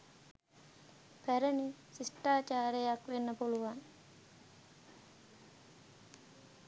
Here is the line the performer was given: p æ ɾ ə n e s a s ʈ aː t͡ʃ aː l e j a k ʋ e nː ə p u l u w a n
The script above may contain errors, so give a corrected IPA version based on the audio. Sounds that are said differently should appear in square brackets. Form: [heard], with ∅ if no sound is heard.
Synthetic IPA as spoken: p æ ɾ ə n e s [i] s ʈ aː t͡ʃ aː [ɾ] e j a k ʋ e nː ə p u l u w a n

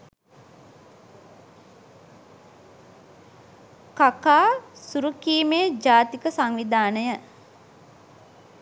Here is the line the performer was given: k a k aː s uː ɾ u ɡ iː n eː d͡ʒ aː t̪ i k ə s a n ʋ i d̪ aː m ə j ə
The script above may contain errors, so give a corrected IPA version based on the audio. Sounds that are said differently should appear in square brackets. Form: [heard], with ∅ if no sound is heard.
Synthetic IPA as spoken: k a k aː s [u] ɾ u [k] iː [m] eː d͡ʒ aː t̪ i k ə s a [ŋ] ʋ i d̪ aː [n] ə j ə

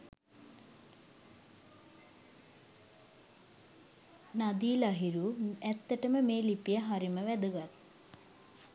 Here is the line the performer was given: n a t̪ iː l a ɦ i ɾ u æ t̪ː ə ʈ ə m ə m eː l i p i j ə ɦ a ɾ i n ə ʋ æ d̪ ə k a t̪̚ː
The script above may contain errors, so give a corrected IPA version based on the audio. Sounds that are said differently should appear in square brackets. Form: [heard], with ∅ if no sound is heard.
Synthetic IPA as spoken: n a [d̪] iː l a ɦ i ɾ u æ t̪ː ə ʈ ə m ə m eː l i p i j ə ɦ a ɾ i [m] ə ʋ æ d̪ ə [ɡ] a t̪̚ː

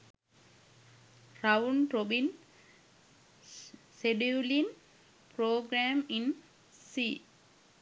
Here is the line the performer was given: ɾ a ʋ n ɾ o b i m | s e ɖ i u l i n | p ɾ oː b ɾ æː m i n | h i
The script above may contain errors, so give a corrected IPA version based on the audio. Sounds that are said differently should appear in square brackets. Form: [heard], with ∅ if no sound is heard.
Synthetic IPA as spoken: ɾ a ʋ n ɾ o b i [n] | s e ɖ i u l i n | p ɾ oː [ɡ] ɾ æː m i n | [s] i

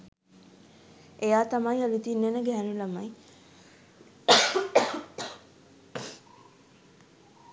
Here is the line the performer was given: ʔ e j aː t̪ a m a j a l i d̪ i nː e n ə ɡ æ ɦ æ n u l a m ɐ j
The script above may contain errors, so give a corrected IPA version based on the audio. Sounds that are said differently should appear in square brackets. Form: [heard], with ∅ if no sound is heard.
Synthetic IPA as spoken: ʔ e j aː t̪ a m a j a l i [t̪] i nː e n ə ɡ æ ɦ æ n u l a m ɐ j

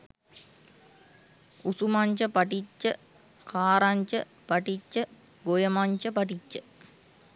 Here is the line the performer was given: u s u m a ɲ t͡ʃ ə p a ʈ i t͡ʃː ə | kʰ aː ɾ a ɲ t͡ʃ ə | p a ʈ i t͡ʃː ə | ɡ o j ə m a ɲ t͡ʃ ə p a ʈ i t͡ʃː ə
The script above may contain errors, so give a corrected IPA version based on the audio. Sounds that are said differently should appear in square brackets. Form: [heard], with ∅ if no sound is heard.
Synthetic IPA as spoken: u s u m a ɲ t͡ʃ ə p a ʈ i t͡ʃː ə | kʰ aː ɾ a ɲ t͡ʃ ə | p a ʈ i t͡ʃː ə | ɡ o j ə m a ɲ t͡ʃ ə p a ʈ i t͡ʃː ə

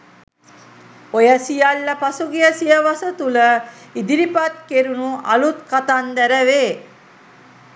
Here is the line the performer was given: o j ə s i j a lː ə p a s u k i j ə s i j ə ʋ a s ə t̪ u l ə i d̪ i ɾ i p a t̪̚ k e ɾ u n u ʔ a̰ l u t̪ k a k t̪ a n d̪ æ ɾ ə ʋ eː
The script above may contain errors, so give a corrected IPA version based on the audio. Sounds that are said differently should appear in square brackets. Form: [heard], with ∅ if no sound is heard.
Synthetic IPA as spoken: o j ə s i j a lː ə p a s u [ɡ] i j ə s i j ə ʋ a s ə t̪ u l ə i d̪ i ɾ i p a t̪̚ k e ɾ u n u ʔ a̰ l u t̪ k a [∅] t̪ a n d̪ æ ɾ ə ʋ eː

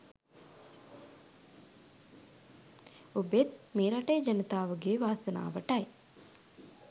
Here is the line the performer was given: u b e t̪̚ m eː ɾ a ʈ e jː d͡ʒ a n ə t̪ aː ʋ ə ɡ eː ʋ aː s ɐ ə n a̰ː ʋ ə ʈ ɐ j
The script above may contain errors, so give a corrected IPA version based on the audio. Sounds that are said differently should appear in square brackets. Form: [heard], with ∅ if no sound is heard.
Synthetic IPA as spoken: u b e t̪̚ m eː ɾ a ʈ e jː d͡ʒ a n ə t̪ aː ʋ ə ɡ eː ʋ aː s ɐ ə n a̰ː ʋ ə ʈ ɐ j

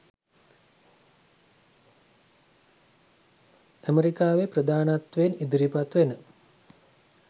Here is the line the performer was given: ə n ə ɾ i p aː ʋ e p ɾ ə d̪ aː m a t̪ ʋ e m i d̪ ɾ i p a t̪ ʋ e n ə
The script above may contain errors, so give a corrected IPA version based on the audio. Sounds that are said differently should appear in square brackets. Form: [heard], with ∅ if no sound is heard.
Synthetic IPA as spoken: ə [m] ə ɾ i [k] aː ʋ e p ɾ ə d̪ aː [n] a t̪ ʋ e [n] i d̪ ɾ i p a t̪ ʋ e n ə

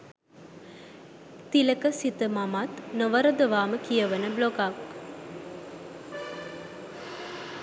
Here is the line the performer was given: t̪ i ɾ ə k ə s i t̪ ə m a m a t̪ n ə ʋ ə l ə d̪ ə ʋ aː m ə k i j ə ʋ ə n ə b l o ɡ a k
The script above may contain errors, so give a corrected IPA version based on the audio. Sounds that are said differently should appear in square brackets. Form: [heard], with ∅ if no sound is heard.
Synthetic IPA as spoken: t̪ i [l] ə k ə s i t̪ ə m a m a t̪ n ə ʋ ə [ɾ] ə d̪ ə ʋ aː m ə k i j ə ʋ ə n ə b l o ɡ a k

